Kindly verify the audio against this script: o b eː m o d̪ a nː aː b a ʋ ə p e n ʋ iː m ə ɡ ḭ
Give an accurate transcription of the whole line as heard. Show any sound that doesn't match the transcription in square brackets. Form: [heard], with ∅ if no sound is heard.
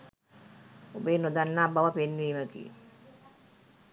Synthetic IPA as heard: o b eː [n] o d̪ a nː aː b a ʋ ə p e n ʋ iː m ə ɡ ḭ